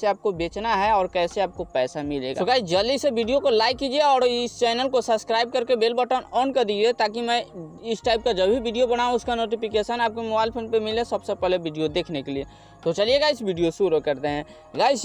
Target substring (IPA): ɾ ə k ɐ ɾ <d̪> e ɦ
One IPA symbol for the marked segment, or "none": t̪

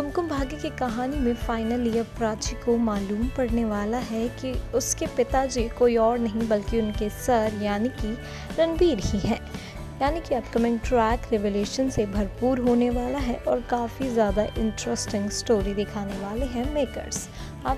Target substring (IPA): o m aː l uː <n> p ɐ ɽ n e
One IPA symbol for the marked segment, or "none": m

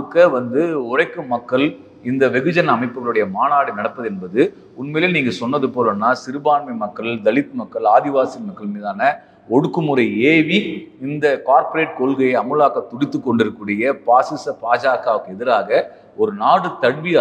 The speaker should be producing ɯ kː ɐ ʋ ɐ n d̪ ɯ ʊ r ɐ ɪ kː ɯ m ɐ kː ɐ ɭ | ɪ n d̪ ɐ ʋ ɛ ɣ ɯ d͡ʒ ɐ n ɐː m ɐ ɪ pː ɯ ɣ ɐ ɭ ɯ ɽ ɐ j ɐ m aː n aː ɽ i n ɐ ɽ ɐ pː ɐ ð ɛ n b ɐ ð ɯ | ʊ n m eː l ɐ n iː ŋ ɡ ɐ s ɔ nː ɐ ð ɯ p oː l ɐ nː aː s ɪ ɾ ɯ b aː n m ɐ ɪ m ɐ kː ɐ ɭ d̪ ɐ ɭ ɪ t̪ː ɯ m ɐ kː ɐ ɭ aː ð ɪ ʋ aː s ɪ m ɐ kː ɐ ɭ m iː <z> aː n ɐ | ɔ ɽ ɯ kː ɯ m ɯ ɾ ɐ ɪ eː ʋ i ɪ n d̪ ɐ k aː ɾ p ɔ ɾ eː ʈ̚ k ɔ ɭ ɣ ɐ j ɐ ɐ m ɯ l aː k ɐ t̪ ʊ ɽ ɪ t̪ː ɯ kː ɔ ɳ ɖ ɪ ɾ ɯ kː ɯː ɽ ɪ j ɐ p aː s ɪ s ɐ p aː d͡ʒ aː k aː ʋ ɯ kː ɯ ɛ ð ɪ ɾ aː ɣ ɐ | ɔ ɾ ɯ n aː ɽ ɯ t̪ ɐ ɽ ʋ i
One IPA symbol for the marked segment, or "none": ð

